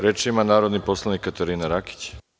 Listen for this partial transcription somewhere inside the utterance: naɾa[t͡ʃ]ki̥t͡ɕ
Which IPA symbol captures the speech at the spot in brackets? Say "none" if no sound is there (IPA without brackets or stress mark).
none